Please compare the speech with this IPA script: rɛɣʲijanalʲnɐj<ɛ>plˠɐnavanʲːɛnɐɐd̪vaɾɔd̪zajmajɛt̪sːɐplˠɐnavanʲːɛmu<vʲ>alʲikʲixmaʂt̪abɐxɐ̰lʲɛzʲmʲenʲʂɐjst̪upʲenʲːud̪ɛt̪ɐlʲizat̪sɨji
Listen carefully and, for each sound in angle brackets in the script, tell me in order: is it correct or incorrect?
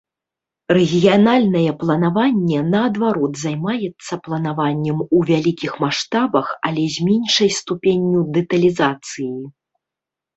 correct, correct

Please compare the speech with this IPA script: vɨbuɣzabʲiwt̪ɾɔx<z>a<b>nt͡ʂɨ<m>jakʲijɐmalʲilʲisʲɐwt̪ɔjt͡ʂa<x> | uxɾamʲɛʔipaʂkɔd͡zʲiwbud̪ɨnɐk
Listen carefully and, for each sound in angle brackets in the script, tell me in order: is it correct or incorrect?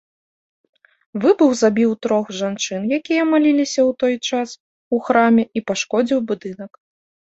incorrect: ʐ, incorrect: none, incorrect: n, incorrect: s

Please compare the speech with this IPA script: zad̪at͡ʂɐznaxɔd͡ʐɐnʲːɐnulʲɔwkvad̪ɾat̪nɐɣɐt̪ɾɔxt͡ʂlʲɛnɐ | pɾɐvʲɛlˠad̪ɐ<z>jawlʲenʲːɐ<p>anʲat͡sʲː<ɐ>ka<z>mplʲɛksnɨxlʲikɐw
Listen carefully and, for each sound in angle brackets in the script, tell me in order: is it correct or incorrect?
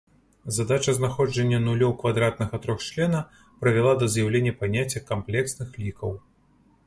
correct, correct, correct, incorrect: none

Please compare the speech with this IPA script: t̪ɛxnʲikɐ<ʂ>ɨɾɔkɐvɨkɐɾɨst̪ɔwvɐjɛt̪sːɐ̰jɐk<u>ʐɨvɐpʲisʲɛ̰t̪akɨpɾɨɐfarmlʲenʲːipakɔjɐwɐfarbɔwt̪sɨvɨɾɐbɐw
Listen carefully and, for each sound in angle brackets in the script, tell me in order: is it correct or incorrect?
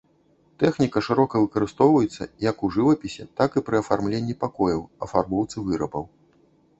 correct, correct

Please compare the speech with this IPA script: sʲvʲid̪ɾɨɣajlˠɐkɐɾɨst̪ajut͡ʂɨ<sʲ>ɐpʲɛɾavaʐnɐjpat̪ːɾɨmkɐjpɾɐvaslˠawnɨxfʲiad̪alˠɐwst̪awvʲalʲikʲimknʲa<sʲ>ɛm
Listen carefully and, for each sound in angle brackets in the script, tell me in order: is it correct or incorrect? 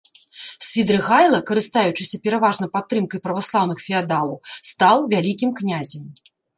correct, incorrect: zʲ

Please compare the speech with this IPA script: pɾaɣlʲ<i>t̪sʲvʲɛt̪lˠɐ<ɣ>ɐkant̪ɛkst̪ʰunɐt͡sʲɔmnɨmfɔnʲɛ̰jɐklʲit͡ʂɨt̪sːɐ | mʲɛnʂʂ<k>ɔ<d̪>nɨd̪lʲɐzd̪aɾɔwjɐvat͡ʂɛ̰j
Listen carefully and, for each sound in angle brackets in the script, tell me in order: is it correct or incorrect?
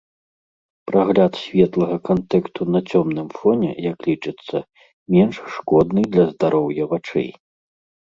incorrect: a, correct, correct, correct

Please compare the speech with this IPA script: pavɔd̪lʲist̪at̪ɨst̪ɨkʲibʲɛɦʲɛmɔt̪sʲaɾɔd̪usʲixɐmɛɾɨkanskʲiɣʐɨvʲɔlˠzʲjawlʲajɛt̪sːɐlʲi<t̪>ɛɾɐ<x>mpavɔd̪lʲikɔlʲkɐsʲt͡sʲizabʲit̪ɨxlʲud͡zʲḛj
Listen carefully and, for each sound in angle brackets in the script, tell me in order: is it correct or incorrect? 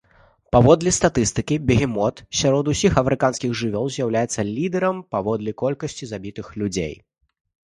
incorrect: d̪, incorrect: none

